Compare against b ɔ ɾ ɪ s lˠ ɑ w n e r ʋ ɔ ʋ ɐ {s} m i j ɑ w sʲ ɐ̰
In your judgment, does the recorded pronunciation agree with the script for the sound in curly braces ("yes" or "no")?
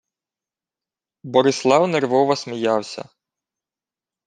yes